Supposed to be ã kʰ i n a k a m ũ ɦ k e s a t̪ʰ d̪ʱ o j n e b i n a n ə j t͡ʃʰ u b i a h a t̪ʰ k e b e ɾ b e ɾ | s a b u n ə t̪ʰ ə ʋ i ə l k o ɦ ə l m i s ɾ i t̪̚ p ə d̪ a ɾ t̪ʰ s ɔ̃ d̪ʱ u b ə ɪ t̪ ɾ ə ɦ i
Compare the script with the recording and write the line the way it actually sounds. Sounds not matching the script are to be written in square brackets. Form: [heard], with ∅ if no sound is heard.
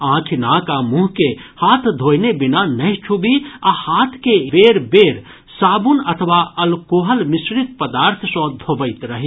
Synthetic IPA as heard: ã kʰ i n a k a m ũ ɦ k e [h] a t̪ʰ d̪ʱ o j n e b i n a n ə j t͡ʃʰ u b i a h a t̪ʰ k e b e ɾ b e ɾ | s a b u n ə t̪ʰ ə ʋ [a] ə l k o ɦ ə l m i s ɾ i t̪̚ p ə d̪ a ɾ t̪ʰ s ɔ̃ d̪ʱ [o] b ə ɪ t̪ ɾ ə ɦ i